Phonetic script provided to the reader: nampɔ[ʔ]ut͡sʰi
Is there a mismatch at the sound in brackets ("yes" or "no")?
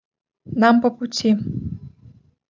yes